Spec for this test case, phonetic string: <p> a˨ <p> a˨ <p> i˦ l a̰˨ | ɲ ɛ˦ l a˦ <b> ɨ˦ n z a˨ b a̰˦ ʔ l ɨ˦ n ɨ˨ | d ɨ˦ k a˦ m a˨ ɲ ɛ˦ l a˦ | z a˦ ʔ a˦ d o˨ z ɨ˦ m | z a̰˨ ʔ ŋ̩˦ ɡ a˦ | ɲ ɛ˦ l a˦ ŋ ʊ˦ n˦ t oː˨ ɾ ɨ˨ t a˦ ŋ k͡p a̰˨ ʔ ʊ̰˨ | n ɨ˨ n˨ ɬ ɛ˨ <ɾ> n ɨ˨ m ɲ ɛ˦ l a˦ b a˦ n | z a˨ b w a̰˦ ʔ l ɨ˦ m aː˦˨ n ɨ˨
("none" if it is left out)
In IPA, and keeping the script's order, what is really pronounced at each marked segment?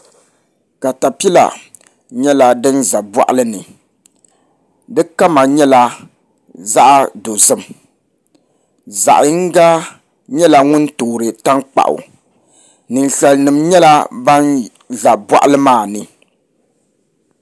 k, t, p, d, l

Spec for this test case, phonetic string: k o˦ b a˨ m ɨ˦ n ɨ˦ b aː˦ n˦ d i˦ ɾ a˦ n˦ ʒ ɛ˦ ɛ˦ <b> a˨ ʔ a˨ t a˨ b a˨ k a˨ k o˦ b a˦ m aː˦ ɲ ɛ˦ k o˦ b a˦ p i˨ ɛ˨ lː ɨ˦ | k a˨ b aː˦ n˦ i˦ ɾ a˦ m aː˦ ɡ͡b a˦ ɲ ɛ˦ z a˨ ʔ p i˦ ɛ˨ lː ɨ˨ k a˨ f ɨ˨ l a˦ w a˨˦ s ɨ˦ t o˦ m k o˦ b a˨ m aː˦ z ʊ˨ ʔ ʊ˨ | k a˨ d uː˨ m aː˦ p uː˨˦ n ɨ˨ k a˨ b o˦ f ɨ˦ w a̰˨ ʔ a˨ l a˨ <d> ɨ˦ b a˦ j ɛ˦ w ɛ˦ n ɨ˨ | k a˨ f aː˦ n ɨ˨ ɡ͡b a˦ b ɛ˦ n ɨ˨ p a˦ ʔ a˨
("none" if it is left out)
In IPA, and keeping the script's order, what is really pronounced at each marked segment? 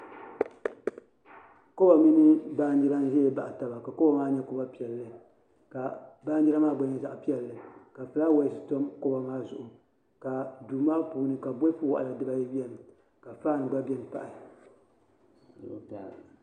b, d

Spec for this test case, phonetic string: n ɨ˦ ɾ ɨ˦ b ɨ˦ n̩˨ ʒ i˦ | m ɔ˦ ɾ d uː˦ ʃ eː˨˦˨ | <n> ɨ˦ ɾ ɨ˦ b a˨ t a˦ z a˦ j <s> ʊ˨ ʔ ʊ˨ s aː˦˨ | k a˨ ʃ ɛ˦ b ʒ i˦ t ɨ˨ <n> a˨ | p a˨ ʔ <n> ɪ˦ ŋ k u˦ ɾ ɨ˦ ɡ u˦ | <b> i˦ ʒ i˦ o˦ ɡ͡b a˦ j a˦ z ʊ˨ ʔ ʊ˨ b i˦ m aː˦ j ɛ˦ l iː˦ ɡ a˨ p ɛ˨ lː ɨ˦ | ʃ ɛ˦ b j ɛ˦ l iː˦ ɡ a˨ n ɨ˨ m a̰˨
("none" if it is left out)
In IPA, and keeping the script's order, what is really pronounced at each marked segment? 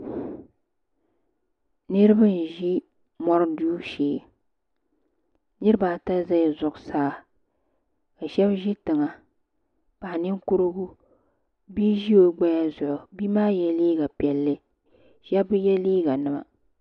n, z, ŋ, n, b

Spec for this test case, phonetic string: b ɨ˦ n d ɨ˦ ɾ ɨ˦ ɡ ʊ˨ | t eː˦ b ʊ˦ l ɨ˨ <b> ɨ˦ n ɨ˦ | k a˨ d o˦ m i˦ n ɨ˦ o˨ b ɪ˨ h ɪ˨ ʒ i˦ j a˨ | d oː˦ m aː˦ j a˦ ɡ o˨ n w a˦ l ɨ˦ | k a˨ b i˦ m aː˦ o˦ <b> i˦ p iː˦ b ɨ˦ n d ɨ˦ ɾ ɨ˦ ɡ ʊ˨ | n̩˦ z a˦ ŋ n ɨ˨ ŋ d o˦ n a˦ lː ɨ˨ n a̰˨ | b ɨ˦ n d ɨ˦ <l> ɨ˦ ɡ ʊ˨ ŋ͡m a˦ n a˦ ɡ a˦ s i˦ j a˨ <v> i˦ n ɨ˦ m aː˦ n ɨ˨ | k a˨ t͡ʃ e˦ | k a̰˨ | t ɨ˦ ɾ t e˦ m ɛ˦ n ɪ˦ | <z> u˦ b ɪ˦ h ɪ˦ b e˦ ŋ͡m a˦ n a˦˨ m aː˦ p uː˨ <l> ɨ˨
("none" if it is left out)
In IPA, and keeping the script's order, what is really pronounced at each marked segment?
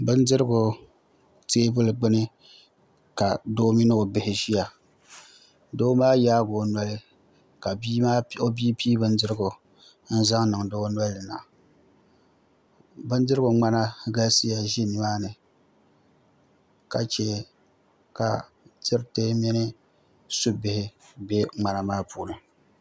ɡ͡b, b, ɾ, ʒ, s, l

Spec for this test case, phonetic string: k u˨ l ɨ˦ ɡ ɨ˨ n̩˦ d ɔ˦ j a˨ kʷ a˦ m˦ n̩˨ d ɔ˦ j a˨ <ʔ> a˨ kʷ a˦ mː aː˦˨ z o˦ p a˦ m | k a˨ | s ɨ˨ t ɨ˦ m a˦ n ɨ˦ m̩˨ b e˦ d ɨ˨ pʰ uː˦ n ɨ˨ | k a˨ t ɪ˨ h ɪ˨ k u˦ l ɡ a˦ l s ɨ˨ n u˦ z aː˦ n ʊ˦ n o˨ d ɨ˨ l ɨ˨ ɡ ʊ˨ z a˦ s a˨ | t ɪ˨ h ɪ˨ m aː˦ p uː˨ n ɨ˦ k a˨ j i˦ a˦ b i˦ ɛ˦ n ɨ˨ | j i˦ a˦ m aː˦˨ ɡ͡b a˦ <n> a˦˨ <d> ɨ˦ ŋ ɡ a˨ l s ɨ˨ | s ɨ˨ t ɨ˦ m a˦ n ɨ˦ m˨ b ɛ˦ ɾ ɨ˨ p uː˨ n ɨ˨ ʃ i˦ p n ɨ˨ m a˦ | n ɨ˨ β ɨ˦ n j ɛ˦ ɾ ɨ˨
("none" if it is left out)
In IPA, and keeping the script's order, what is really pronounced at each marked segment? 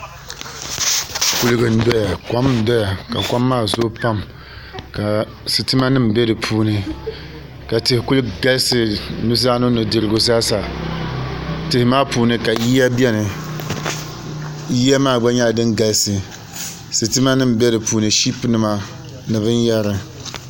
k, ɲ, d

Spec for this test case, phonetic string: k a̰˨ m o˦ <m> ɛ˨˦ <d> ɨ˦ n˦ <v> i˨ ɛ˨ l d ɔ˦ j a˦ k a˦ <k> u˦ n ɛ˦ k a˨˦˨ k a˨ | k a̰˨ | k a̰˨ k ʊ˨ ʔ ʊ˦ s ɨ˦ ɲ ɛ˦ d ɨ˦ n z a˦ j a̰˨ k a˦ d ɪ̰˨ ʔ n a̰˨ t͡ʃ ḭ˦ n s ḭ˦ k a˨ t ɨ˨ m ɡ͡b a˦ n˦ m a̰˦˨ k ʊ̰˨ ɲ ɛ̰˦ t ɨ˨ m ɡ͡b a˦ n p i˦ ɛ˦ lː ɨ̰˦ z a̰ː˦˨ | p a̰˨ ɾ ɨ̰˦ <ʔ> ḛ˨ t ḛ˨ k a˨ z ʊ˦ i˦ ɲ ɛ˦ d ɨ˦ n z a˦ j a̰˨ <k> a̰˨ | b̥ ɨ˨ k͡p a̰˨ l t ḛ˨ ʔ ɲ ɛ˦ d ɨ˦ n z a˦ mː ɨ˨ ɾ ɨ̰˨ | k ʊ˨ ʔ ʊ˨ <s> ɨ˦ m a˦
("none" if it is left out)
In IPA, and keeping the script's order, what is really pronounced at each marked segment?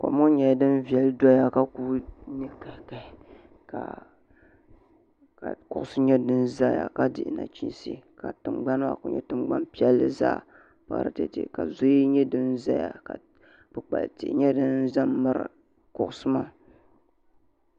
ɲ, d, v, k, t, k, s

